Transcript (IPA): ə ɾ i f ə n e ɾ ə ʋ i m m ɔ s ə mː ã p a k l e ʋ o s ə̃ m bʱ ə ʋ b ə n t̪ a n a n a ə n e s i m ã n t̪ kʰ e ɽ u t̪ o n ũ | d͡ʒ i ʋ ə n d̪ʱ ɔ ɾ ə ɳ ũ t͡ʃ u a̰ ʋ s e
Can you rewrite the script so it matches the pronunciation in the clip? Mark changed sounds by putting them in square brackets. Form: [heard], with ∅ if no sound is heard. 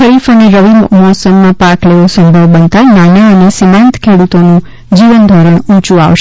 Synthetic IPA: ə ɾ i f ə n e ɾ ə ʋ i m m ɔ s ə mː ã p a k l e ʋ o s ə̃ m bʱ ə ʋ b ə n t̪ a n a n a ə n e s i m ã n t̪ kʰ e ɽ u t̪ o n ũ | d͡ʒ i ʋ ə n d̪ʱ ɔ ɾ ə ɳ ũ t͡ʃ u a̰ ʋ [ʃ] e